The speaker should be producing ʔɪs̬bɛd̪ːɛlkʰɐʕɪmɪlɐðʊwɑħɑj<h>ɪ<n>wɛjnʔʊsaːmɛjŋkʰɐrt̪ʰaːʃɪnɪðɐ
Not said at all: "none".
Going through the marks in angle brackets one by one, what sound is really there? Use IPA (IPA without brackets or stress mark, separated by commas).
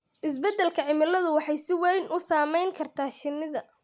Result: s, none